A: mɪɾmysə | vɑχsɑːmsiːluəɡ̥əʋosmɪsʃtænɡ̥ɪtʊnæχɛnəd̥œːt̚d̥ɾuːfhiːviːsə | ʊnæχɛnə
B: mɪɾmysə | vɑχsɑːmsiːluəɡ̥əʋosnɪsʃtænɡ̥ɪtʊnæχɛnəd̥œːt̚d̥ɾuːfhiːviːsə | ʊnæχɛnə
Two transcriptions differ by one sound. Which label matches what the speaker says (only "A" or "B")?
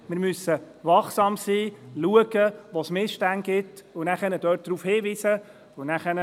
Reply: A